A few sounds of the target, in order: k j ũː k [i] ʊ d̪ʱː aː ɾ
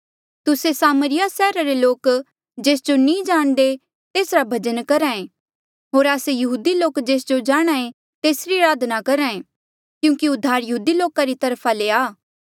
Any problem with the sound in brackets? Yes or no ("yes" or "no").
no